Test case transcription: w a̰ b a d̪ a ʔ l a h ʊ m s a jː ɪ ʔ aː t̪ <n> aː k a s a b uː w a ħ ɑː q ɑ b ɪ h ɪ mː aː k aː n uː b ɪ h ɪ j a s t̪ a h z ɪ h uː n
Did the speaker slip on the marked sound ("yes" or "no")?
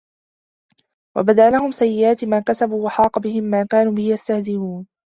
yes